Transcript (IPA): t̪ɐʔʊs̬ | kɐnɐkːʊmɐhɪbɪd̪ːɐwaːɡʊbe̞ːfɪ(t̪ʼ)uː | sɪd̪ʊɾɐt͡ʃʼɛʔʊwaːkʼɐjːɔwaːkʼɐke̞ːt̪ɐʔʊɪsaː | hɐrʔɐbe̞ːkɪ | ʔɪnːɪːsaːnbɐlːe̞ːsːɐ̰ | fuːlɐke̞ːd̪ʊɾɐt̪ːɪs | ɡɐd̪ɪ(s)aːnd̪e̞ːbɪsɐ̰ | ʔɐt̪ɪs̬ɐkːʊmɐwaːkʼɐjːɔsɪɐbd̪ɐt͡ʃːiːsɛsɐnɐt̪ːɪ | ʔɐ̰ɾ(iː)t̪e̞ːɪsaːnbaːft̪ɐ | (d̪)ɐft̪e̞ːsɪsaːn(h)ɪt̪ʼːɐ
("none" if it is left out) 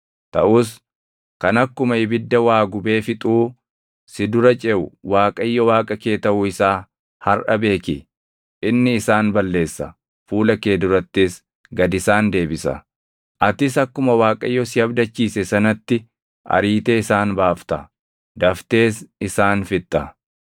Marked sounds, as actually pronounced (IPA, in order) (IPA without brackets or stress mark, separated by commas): t̪ʼ, s, iː, d̪, f